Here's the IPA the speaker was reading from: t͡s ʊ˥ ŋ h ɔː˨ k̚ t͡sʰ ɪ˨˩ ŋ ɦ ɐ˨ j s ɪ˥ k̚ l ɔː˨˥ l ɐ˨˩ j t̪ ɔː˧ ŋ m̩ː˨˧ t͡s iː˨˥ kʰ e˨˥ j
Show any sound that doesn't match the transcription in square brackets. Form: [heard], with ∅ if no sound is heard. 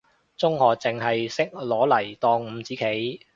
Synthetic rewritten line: t͡s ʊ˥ ŋ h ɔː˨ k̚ [t͡s] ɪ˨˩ ŋ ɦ ɐ˨ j s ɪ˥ k̚ l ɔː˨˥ l ɐ˨˩ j t̪ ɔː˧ ŋ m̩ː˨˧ t͡s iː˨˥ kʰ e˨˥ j